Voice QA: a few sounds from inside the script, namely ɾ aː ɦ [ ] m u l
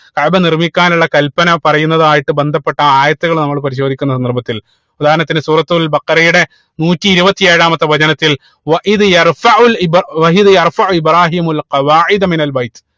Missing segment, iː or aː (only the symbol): iː